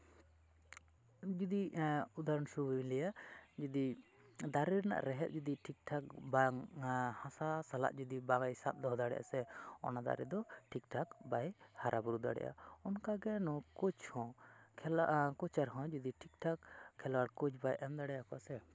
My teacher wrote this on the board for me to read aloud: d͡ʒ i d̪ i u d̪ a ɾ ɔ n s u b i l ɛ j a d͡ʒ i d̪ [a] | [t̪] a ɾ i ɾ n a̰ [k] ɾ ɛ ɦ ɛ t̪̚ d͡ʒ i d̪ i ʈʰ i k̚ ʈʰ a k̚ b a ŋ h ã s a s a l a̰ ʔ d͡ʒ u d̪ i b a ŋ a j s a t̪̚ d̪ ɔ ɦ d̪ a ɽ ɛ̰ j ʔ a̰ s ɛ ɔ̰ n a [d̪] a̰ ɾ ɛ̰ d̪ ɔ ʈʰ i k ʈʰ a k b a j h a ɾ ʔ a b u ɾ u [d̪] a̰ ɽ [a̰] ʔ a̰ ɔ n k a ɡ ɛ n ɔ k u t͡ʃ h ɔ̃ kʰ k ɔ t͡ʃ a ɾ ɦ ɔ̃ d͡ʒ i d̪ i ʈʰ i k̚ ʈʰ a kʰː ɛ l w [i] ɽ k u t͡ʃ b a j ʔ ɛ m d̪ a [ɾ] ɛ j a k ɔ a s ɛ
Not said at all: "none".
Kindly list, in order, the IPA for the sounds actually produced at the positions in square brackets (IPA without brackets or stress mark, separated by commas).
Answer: i, d̪, ʔ, d̪, d̪, ɛ̰, a, ɽ